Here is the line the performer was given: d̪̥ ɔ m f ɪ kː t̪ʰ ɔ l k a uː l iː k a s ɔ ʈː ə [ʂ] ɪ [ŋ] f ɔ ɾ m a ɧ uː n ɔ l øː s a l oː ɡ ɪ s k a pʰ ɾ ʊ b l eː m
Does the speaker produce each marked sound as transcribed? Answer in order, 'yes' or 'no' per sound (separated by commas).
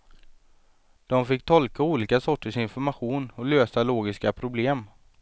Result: yes, no